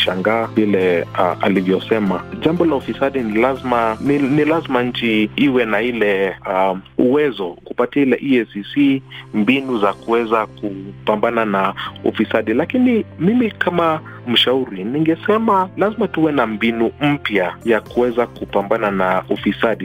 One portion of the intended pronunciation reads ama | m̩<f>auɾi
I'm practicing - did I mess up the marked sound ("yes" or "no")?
yes